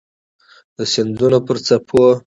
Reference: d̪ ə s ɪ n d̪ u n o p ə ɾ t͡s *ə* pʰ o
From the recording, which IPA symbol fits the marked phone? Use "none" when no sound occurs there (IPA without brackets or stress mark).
a